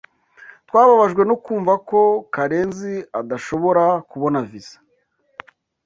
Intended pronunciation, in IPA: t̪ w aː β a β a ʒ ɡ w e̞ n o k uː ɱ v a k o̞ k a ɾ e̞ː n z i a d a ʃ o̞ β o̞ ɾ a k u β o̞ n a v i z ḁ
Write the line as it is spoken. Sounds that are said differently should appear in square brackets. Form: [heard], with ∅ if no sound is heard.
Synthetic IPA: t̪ w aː β a β a ʒ ɡ w e̞ n o k uː ɱ v a k o̞ k a ɾ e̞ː n z i a d a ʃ o̞ β o̞ ɾ a k u β o̞ n a v i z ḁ